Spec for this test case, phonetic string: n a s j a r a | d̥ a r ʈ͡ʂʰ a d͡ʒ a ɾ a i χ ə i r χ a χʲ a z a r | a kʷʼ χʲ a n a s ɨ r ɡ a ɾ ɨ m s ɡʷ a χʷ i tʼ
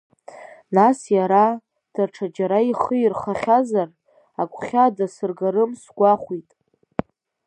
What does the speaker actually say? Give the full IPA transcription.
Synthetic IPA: n a s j a ɾ a | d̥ a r ʈ͡ʂʰ a d͡ʒ a ɾ a i χ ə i r χ a χʲ a z a r | a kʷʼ χʲ a d a s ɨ r ɡ a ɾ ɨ m s ɡʷ a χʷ i tʼ

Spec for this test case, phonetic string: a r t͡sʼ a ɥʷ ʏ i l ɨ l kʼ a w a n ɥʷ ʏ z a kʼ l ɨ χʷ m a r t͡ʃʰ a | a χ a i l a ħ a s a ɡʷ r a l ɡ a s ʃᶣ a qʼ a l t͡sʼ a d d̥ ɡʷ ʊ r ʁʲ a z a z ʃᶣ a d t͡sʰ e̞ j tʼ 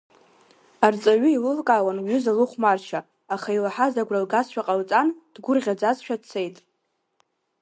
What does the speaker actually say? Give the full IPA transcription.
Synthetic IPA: a r t͡sʼ a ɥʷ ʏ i l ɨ l kʼ a w a n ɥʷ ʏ z a l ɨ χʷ m a r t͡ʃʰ a | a χ a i l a ħ a z a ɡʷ r a l ɡ a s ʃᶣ a qʼ a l t͡sʼ a n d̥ ɡʷ ʊ r ʁʲ a d͡z a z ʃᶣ a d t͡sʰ e̞ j tʼ

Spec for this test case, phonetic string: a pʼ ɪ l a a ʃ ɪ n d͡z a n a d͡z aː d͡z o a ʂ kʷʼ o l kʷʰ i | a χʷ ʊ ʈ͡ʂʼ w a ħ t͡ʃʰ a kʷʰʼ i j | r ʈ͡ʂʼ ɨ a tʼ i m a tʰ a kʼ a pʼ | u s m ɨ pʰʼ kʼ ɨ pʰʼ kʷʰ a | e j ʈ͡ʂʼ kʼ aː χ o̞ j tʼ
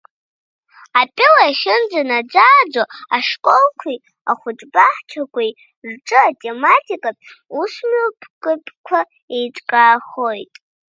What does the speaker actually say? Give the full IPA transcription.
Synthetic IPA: a pʼ ɪ l a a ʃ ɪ n d͡z a n a d͡z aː d͡z o a ʂ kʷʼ o l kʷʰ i | a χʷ ʊ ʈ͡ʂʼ b a ħ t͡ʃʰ a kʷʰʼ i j | r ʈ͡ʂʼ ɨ a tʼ e m a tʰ i kʼ a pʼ | u s m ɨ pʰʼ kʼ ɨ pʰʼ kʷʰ a | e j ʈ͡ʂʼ kʼ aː χ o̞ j tʼ

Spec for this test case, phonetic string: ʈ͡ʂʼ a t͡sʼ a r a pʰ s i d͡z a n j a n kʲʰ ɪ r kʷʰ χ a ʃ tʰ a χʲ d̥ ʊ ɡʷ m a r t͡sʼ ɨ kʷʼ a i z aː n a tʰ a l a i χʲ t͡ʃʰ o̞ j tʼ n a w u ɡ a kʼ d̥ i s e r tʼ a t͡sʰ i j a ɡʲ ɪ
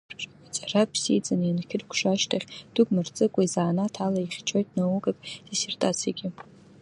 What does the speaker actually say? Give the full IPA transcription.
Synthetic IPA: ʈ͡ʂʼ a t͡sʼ a r a pʰ s i d͡z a n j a n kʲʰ ɪ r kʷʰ ʂ a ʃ tʰ a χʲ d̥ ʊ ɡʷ m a r t͡sʼ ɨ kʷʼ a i z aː n a tʰ a l a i χʲ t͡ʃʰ o̞ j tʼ n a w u ɡ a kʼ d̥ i s e r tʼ a t͡sʰ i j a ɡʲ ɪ

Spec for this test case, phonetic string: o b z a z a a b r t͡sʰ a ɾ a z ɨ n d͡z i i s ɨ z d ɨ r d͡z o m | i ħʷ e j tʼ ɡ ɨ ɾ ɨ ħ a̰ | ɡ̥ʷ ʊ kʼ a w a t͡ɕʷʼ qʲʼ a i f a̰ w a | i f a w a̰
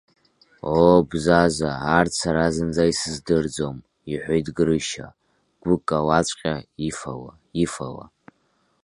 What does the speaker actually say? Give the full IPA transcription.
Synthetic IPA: o b z a z a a r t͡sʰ a ɾ a z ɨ n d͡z a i s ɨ z d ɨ r d͡z o m | i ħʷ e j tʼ ɡ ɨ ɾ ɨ ʃ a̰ | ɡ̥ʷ ʊ kʼ a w a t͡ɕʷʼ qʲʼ a i f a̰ w a | i f a w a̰

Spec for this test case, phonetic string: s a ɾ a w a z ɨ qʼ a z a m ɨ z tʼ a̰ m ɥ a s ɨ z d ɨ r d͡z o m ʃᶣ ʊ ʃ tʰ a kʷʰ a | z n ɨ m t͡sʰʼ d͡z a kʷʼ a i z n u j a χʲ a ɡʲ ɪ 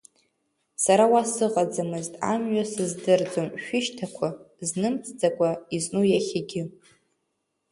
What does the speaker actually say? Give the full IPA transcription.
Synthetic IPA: s a ɾ a w a s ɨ qʼ a d͡z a m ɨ z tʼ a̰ m ɥ a s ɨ z d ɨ r d͡z o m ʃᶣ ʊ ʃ tʰ a kʷʰ a | z n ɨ m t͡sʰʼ d͡z a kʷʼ a i z n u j a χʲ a ɡʲ ɪ

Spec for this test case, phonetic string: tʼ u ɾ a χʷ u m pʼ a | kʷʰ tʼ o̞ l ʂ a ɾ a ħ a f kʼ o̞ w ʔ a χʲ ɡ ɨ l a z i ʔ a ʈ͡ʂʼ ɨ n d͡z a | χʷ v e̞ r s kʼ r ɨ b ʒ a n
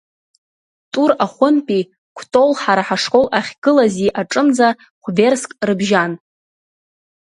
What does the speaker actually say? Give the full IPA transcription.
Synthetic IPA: tʼ u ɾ a χʷ ʊ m pʼ i | kʷʰ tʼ o̞ l ħ a ɾ a ħ a ʂ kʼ o̞ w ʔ a χʲ ɡ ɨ l a z i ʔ a ʈ͡ʂʼ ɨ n d͡z a | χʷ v e̞ r s kʼ r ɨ b ʒ a n

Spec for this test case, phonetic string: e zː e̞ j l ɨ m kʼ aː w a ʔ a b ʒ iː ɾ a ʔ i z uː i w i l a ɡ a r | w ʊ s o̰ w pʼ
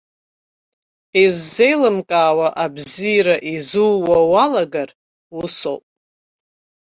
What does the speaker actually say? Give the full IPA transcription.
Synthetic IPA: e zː e̞ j l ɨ m kʼ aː w a ʔ a b z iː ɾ a ʔ i z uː a w a l a ɡ a r | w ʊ s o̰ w pʼ

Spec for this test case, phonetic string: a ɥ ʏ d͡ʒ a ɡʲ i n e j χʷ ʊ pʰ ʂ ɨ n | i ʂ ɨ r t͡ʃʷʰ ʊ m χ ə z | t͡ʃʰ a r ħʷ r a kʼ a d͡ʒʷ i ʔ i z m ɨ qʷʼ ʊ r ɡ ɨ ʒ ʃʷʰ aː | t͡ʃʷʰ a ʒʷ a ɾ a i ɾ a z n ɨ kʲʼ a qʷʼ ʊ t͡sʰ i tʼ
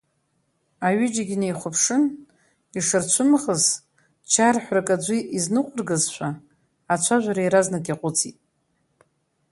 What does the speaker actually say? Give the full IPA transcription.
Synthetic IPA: a ɥ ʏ d͡ʒ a ɡʲ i n e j χʷ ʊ pʰ ʂ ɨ n | i ʂ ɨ r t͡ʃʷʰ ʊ m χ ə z | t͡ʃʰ a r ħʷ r a kʼ a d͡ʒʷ i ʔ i z n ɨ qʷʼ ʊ r ɡ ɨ z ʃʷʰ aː | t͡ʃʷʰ a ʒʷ a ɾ a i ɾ a z n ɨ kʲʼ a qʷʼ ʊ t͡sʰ i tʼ

